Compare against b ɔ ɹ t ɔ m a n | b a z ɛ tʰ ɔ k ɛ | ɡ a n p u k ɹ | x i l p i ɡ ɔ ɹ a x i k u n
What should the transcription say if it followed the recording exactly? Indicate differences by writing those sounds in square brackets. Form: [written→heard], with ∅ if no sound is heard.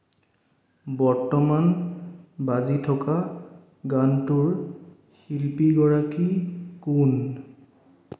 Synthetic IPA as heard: b ɔ ɹ t ɔ m a n | b a z [ɛ→i] tʰ ɔ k [ɛ→a] | ɡ a n [p→t] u [k→∅] ɹ | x i l p i ɡ ɔ ɹ a [x→k] i k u n